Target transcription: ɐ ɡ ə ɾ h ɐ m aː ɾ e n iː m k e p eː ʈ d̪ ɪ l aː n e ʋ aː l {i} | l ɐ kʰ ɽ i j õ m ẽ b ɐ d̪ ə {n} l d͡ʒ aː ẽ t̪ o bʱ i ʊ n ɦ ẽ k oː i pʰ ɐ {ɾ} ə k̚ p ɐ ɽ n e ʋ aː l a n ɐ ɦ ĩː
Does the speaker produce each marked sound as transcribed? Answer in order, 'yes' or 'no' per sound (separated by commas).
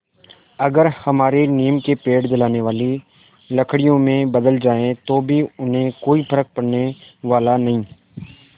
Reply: yes, no, yes